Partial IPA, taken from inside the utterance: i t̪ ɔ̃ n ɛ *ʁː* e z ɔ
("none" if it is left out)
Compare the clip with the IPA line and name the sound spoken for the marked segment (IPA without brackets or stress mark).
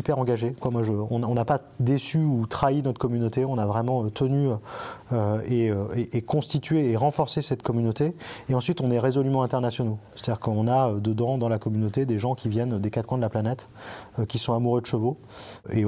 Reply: ʁ